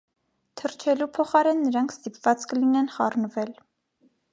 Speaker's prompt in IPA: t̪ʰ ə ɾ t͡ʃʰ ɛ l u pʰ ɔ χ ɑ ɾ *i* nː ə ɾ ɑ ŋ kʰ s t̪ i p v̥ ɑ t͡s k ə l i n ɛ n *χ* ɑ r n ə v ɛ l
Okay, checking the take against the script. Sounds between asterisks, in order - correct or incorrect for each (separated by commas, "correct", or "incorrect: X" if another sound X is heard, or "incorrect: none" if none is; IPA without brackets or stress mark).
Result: incorrect: ɛ, correct